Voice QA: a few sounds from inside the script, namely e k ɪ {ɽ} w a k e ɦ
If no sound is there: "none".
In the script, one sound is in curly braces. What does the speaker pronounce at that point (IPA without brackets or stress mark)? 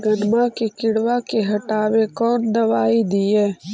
ɽ